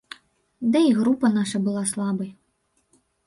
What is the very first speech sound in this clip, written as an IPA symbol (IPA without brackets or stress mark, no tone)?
d̪